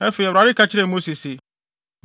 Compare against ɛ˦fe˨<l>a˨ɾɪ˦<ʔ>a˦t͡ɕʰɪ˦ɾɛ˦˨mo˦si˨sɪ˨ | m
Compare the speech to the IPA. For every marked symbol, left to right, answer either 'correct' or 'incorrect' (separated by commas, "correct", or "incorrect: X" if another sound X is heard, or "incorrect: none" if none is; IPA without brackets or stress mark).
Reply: incorrect: ɾ, incorrect: k